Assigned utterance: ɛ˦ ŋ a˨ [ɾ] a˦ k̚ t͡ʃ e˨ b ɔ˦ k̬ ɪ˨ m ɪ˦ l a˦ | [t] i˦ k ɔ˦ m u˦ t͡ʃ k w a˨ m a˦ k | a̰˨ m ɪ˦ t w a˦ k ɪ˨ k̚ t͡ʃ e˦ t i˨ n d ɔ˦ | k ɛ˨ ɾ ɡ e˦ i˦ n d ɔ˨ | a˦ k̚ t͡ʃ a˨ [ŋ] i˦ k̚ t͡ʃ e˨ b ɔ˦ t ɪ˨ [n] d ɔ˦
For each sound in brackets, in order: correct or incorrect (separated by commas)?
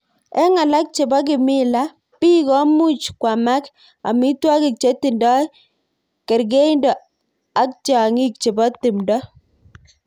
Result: incorrect, incorrect, correct, incorrect